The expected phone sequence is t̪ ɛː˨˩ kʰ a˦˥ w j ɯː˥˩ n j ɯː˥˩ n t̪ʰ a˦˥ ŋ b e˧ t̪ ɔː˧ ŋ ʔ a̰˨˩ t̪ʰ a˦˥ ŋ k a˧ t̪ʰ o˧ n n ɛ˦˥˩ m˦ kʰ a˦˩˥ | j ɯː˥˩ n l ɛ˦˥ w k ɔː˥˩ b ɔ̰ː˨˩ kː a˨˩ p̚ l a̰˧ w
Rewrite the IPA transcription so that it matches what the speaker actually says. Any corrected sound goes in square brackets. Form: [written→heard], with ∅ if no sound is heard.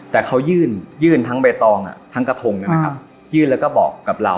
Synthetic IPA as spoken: t̪ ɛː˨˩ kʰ a˦˥ w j ɯː˥˩ n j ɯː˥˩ n t̪ʰ a˦˥ ŋ b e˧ t̪ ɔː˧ ŋ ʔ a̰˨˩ t̪ʰ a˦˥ ŋ k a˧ t̪ʰ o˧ [n→ŋ] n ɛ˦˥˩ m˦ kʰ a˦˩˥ | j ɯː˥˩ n l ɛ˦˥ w k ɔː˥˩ b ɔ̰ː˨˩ kː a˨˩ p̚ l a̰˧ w